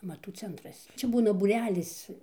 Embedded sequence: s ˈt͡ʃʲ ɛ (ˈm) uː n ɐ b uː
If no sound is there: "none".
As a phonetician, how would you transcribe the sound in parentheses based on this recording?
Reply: b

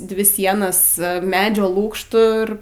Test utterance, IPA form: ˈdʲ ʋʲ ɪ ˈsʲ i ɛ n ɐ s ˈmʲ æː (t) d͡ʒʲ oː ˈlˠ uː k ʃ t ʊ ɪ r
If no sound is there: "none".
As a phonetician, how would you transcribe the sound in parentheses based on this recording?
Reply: none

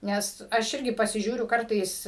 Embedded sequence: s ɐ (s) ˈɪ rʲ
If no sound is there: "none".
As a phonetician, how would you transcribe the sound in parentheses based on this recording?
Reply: ʃ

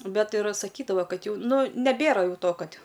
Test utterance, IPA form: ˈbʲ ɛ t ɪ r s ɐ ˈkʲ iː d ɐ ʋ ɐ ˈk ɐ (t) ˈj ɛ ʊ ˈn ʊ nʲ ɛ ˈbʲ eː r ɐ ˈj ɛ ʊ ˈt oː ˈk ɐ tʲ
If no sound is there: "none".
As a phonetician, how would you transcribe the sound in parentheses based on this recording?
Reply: t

